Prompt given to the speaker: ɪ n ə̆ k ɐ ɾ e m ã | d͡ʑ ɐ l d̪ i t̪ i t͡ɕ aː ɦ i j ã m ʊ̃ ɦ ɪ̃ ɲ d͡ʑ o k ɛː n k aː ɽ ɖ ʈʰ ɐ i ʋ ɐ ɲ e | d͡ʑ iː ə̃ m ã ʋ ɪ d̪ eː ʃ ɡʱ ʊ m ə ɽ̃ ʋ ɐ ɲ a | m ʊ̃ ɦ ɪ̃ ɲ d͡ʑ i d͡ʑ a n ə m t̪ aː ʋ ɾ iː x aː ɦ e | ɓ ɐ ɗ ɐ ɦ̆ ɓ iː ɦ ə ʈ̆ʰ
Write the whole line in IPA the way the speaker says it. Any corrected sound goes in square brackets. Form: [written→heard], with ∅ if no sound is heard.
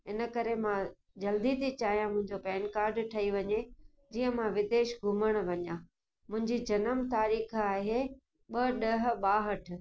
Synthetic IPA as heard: ɪ n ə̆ k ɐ ɾ e m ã | d͡ʑ ɐ l d̪ i t̪ i t͡ɕ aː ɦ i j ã m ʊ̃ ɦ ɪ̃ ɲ d͡ʑ o [k→p] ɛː n k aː [ɽ→ɾ] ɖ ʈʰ ɐ i ʋ ɐ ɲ e | d͡ʑ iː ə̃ m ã ʋ ɪ d̪ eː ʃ ɡʱ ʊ m ə ɽ̃ ʋ ɐ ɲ a | m ʊ̃ ɦ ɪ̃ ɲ d͡ʑ i d͡ʑ [a→ɐ] n ə m t̪ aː [ʋ→∅] ɾ iː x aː ɦ e | ɓ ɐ ɗ ɐ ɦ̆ ɓ [iː→aː] ɦ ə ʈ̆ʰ